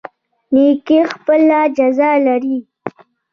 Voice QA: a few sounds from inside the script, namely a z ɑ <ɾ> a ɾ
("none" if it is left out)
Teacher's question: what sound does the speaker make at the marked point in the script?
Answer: l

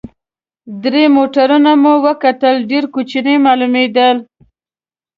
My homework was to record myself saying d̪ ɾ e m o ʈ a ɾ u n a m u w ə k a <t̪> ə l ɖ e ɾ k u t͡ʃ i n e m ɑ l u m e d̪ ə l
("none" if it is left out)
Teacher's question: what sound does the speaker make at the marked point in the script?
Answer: t̪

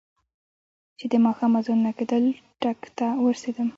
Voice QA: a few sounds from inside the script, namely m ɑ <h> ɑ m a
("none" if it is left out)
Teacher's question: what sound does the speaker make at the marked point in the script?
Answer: x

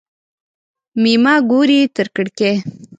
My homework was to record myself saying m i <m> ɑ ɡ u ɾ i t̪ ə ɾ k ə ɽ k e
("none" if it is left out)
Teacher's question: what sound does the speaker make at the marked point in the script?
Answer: m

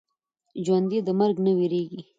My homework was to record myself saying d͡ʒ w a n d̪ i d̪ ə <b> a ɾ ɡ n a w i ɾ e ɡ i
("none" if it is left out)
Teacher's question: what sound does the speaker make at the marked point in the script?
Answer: m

